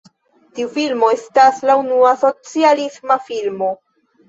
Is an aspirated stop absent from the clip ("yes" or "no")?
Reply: yes